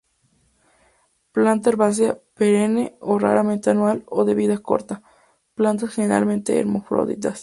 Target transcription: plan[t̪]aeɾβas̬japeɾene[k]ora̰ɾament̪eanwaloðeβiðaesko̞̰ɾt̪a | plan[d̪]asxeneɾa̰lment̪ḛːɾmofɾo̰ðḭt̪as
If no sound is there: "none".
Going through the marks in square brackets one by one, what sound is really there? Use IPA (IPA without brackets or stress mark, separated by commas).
t̪, none, t̪